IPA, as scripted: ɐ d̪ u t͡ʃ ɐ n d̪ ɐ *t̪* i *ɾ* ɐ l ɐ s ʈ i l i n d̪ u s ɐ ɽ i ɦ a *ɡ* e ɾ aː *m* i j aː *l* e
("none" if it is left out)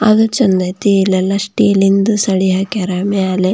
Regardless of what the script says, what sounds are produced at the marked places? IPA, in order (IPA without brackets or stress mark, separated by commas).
t̪, l, k, m, l